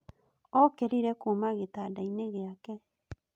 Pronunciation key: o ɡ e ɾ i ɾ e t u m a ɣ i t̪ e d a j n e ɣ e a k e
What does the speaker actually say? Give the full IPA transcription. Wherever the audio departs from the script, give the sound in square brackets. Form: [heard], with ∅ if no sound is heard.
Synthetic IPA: o [k] e ɾ i ɾ e [k] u m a ɣ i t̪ [a] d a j n e ɣ e a k e